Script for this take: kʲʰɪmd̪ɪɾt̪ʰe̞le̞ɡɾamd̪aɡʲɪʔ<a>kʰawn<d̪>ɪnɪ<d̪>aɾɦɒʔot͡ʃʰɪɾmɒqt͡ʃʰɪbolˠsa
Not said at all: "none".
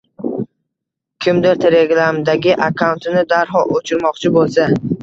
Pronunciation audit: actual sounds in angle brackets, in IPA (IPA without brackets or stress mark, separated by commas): a, t̪, d̪